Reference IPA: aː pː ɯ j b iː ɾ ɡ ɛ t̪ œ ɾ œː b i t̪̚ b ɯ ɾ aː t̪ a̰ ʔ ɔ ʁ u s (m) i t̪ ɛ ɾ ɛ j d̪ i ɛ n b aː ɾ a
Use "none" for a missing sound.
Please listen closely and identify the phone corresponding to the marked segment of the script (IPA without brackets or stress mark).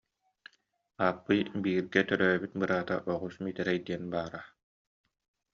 m